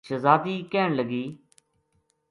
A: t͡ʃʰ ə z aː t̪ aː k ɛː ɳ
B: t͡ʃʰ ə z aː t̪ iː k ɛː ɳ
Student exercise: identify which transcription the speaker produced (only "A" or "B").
B